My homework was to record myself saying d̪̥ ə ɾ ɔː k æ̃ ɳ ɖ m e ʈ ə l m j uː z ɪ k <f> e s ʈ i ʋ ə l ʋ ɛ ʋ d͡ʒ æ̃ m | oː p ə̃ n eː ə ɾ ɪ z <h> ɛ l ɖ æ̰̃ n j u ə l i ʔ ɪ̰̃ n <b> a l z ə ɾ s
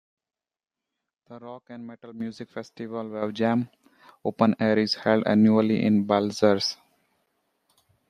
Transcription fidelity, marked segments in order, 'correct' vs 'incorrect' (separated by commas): correct, correct, correct